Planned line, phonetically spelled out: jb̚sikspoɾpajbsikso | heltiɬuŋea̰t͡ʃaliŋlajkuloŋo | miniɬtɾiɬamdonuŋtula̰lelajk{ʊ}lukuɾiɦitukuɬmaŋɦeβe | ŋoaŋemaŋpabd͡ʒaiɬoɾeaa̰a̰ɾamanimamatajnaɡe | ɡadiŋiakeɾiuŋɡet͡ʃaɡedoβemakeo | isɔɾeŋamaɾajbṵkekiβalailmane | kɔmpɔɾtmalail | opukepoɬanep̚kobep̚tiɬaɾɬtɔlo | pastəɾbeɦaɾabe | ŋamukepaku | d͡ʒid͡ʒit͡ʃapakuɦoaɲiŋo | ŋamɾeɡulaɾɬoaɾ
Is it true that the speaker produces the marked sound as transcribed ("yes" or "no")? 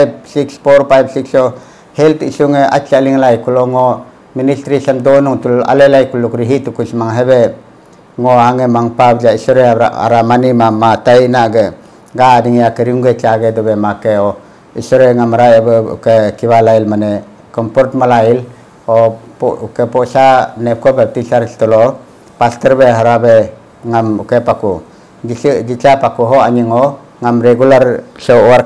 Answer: no